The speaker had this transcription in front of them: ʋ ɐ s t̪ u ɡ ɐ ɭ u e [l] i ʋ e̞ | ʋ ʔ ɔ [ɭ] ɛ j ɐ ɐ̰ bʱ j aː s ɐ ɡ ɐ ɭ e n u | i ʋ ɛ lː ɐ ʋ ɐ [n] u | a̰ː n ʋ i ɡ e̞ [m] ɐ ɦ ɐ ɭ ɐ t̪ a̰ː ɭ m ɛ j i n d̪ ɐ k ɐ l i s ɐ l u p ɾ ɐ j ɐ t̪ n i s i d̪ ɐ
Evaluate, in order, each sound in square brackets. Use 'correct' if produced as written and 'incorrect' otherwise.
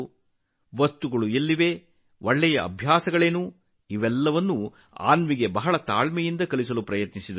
incorrect: lː, incorrect: ɭː, incorrect: nː, incorrect: b

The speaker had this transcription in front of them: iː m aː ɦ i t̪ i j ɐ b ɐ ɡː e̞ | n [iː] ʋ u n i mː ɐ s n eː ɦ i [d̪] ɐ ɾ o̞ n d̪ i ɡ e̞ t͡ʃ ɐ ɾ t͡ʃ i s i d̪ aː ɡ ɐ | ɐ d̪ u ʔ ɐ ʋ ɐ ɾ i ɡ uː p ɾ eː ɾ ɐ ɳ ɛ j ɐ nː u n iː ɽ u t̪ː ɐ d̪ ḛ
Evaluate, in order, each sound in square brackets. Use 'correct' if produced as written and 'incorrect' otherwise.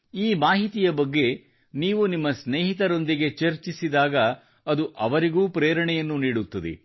correct, incorrect: t̪

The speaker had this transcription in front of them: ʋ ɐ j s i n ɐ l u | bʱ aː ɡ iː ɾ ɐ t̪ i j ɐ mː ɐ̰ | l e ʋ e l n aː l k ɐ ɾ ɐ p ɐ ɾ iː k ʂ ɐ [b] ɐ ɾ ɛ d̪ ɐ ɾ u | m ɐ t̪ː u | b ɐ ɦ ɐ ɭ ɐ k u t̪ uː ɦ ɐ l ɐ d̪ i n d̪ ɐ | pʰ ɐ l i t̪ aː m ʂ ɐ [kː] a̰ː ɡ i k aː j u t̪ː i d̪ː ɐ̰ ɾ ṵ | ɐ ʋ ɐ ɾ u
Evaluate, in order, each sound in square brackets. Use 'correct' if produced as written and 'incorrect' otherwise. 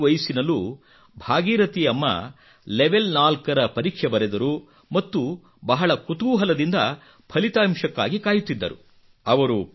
correct, correct

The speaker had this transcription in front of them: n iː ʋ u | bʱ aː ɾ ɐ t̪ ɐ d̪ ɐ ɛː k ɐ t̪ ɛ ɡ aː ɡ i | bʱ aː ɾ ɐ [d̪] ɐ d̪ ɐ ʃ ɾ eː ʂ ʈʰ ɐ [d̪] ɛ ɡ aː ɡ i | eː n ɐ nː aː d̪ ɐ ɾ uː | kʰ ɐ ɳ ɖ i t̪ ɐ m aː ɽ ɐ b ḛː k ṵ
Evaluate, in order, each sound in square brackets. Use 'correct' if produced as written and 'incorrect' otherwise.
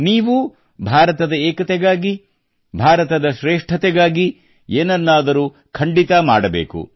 incorrect: t̪, incorrect: t̪

